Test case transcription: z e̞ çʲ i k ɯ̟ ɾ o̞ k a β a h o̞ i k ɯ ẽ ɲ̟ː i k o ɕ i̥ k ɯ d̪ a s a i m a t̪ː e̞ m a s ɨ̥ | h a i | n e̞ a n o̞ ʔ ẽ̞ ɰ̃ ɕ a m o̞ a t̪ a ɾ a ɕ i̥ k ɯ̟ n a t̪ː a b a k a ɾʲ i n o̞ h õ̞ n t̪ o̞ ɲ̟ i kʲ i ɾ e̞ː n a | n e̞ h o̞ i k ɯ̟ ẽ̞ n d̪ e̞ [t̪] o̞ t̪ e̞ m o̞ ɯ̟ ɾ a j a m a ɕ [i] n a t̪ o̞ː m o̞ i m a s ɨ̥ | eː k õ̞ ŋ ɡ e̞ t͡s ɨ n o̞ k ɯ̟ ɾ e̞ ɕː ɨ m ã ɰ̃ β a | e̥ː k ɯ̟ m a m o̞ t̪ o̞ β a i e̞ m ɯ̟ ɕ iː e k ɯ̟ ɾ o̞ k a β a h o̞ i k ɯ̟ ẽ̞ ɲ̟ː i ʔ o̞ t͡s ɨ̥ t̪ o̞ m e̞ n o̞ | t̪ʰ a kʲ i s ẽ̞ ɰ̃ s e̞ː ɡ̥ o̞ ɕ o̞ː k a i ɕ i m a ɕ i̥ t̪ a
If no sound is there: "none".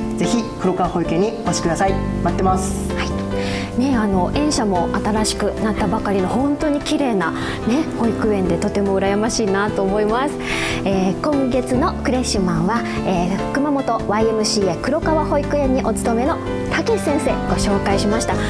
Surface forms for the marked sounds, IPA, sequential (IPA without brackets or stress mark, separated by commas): t̪, iː